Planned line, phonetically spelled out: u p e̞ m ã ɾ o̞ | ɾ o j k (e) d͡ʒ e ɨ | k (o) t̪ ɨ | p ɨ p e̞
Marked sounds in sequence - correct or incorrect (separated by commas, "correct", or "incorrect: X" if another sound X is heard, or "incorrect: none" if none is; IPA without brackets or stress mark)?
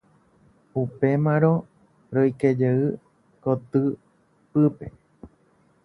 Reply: correct, correct